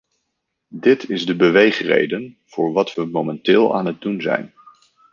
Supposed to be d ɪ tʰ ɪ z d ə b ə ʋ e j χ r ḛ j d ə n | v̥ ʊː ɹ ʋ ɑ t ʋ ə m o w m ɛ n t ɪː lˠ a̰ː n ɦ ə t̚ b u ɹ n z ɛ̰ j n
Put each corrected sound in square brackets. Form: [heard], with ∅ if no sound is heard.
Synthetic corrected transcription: d ɪ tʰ ɪ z d ə b ə ʋ e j χ r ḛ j d ə n | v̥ ʊː ɹ ʋ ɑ t ʋ ə m o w m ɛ n t ɪː lˠ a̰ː n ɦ ə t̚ [d] u [∅] n z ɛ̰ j n